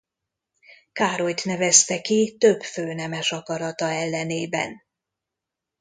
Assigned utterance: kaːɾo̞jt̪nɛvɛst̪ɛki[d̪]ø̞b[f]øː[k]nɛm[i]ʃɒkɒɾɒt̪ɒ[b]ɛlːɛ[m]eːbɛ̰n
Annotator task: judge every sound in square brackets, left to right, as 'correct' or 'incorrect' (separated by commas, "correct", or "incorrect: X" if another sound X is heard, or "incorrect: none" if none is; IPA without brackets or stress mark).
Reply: incorrect: t̪, correct, incorrect: none, incorrect: ɛ, incorrect: none, incorrect: n